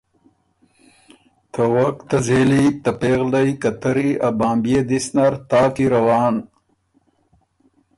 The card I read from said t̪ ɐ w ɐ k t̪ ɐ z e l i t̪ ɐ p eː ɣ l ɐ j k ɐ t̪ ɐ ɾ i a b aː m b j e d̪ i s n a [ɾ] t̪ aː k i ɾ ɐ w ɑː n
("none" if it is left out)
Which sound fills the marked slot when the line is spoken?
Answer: ɾ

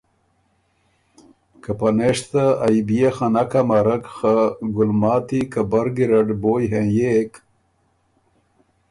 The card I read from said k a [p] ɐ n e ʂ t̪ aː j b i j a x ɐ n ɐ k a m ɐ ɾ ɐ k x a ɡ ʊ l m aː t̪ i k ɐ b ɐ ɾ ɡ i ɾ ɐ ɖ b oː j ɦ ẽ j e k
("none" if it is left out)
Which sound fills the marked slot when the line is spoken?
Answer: p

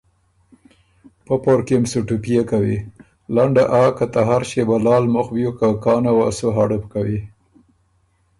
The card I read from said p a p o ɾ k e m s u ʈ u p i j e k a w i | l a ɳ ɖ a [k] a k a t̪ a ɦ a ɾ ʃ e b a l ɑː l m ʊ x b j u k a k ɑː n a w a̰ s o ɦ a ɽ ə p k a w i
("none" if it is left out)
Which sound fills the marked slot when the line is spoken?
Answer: ʔ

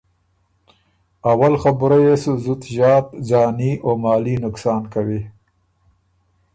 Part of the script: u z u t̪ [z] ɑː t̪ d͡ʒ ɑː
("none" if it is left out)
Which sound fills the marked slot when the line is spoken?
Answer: ʒ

